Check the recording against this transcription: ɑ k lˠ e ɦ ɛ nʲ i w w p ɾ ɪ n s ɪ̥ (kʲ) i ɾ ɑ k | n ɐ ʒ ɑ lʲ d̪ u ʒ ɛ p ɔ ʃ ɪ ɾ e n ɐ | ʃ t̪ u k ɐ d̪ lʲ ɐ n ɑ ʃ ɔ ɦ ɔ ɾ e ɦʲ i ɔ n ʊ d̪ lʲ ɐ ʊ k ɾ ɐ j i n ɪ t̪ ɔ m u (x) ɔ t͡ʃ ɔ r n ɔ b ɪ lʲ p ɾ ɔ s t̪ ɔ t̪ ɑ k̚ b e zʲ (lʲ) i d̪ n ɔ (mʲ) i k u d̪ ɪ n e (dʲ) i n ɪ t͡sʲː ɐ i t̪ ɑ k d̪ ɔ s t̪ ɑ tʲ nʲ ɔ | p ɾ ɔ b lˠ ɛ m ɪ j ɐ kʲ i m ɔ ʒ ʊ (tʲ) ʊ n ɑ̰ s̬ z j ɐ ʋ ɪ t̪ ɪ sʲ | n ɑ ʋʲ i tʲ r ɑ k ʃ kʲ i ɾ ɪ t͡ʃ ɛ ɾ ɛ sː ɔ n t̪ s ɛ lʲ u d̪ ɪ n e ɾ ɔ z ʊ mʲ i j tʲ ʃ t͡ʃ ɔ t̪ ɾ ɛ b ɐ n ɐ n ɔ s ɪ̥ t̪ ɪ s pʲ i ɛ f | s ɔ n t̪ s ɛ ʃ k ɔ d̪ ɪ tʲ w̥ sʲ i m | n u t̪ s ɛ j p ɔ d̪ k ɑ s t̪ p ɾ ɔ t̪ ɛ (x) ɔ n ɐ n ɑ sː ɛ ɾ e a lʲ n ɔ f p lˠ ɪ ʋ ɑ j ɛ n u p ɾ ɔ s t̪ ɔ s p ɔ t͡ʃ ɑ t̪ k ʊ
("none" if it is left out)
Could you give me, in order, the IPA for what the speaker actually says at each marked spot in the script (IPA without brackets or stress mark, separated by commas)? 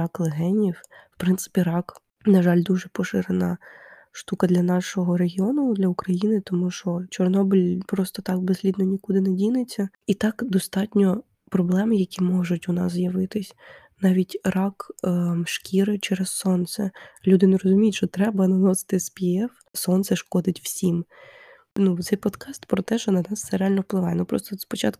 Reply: pʲ, ʃ, lʲ, nʲ, dʲ, tʲ, ʃ